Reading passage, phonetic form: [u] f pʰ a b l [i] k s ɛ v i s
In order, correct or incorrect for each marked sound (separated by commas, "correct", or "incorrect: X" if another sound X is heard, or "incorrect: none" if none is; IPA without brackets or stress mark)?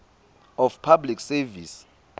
incorrect: ɔ, correct